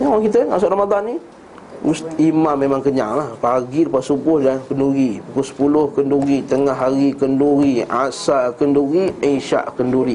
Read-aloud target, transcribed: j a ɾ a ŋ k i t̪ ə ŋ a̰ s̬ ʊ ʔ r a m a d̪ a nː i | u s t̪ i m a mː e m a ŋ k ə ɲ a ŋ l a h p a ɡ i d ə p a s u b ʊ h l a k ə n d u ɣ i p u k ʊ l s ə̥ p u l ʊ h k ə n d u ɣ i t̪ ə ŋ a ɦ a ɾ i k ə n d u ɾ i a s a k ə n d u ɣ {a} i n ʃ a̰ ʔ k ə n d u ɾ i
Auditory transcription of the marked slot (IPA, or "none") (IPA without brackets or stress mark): i